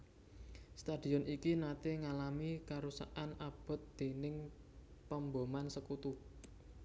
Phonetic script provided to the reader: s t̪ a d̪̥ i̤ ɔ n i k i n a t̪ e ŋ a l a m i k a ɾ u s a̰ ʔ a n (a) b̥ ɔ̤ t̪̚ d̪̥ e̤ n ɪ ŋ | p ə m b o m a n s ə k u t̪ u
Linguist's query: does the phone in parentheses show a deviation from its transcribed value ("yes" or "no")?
no